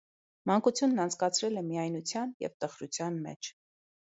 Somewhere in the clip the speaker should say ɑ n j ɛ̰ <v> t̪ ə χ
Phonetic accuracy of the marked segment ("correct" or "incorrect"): correct